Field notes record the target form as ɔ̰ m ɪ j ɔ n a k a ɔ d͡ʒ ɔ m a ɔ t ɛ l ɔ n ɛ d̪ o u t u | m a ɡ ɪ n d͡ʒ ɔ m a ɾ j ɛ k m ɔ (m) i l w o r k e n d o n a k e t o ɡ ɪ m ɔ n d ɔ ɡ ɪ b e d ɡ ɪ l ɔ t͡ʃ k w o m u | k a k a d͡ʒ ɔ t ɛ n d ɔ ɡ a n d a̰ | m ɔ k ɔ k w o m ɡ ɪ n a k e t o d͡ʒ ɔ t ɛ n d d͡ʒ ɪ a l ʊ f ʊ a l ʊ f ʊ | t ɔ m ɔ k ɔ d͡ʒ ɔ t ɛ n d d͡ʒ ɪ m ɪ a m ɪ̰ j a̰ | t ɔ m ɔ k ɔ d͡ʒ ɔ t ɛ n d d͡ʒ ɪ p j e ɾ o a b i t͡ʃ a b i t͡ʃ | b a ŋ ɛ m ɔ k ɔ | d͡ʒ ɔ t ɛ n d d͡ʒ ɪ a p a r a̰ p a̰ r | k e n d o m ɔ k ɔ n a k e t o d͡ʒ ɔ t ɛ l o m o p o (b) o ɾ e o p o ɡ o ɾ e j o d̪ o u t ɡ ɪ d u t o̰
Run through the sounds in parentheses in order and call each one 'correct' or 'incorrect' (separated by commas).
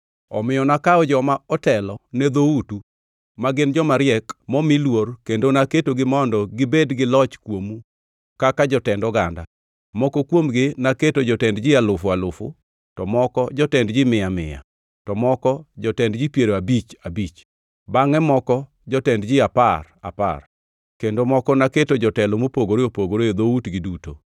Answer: correct, incorrect